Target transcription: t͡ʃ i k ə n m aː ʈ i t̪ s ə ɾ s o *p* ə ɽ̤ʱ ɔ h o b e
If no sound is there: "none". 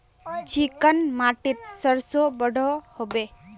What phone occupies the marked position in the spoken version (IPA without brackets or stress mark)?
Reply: b